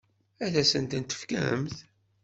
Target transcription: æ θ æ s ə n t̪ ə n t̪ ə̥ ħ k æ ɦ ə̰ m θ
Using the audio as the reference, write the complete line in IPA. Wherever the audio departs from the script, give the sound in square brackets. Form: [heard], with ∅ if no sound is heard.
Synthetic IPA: æ [ð] æ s ə n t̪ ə n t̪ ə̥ [f] k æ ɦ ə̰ m θ